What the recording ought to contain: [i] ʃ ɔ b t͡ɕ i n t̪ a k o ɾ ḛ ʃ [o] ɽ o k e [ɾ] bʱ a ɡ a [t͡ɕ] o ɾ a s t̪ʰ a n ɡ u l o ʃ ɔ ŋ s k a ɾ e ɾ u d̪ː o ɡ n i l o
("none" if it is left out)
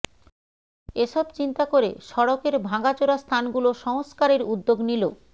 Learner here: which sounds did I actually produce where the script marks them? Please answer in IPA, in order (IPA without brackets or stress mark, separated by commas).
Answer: e, ɔ, ɾ, t͡ɕ